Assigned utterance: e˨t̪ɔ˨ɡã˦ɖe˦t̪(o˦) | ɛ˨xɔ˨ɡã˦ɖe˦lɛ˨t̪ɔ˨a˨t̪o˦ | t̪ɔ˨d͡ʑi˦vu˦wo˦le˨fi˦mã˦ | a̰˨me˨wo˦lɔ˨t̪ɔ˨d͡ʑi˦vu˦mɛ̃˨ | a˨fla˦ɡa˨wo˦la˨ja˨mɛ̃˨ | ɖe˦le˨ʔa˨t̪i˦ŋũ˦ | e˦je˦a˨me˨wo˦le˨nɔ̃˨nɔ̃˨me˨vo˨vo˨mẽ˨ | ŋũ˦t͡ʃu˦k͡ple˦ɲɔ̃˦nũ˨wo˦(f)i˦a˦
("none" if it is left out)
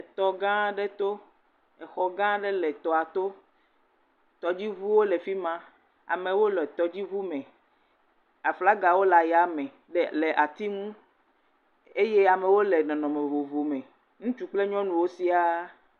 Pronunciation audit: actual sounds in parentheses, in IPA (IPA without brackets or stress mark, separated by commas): o˦, s